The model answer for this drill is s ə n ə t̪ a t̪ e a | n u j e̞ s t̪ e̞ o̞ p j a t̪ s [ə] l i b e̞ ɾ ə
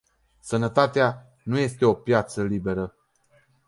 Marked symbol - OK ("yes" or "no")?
yes